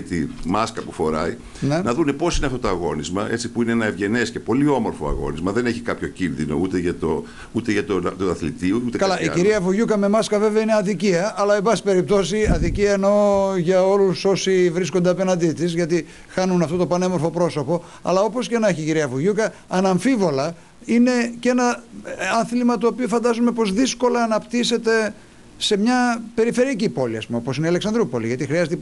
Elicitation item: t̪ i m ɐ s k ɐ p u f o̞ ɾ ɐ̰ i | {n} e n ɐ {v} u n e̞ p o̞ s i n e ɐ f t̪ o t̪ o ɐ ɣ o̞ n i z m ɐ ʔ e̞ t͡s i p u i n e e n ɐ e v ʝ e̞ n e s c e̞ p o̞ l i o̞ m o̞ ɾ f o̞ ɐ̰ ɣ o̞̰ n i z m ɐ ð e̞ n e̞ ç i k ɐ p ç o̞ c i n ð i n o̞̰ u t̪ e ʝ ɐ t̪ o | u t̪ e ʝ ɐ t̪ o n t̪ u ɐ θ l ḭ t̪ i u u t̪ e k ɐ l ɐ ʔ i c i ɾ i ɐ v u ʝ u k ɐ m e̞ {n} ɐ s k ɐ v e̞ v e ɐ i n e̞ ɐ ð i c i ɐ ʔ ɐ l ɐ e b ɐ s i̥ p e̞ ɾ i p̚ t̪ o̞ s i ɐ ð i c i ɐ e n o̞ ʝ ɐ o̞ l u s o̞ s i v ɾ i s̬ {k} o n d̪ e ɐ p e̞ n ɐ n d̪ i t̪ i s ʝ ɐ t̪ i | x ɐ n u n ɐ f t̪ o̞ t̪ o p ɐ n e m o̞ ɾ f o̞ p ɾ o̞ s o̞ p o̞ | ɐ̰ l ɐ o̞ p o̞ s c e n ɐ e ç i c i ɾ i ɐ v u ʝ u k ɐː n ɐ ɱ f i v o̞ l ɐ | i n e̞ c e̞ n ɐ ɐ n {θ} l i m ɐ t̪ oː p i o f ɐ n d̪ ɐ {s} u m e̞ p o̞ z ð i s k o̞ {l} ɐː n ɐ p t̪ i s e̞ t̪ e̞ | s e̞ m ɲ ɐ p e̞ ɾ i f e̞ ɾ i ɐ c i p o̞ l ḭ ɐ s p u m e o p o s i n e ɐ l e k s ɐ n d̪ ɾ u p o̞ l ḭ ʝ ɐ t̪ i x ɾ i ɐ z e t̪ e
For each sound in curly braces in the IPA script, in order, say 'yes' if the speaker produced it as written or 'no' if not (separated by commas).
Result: yes, no, no, yes, yes, no, yes